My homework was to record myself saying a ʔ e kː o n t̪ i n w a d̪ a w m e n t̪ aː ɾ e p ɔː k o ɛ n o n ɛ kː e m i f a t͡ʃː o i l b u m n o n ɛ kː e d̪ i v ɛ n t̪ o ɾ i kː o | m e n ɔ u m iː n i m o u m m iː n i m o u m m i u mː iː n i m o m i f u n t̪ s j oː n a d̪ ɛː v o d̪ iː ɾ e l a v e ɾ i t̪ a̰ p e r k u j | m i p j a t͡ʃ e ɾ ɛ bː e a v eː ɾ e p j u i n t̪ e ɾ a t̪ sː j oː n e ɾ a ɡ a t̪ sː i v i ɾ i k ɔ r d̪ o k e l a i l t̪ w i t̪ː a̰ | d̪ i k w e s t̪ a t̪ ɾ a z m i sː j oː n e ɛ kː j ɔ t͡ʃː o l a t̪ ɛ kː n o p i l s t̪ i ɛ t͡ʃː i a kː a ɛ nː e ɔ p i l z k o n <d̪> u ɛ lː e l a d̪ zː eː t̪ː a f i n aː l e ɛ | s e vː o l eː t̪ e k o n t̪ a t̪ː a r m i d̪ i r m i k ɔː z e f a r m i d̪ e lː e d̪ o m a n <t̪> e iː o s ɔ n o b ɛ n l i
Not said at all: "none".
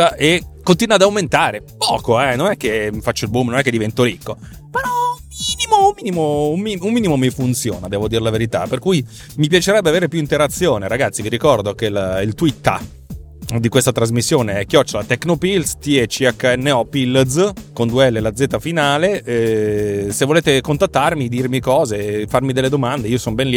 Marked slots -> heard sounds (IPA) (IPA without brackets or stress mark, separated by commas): d̪, d̪